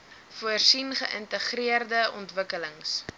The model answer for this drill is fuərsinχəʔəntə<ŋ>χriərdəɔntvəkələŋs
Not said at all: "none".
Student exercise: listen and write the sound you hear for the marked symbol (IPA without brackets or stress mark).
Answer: none